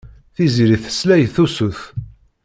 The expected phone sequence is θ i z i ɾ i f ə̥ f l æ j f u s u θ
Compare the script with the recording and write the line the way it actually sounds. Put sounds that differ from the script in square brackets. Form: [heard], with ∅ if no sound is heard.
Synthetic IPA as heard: θ i z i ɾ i [θ] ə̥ [s] l æ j [θ] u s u θ